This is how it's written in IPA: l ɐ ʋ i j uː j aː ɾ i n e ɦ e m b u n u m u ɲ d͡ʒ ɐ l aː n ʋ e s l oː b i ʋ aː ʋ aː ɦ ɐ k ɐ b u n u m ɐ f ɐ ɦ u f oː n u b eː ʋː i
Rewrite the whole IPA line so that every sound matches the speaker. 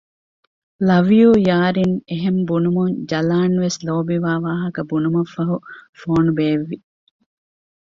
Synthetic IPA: l ɐ ʋ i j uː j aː ɾ i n e ɦ e m b u n u m u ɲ d͡ʒ ɐ l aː n ʋ e s l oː b i ʋ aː ʋ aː ɦ ɐ k ɐ b u n u m ɐ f ɐ ɦ u f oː n u b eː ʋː i